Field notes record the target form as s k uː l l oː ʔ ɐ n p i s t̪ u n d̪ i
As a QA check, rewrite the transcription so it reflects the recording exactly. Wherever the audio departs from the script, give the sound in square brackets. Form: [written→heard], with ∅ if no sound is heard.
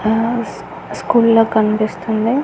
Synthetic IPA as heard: s k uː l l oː [ʔ→k] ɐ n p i s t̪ u n d̪ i